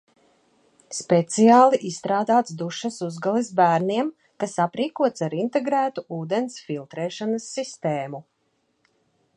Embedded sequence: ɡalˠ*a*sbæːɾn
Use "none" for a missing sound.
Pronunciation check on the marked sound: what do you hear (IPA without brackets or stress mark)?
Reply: i